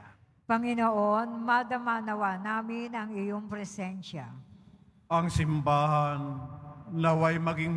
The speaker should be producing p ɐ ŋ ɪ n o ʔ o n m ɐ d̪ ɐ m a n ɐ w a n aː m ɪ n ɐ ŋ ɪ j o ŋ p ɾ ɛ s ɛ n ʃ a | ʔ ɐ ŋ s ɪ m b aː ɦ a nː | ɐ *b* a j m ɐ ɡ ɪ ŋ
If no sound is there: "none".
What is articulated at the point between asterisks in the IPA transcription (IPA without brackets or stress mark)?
w